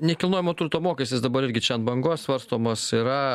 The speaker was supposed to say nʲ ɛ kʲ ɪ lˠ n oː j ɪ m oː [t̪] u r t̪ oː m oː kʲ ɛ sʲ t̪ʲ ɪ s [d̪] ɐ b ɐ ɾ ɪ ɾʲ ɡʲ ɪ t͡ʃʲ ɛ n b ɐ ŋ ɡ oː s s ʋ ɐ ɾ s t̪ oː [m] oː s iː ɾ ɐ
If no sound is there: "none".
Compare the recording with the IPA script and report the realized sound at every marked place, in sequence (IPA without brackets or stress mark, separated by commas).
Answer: t̪, d̪, m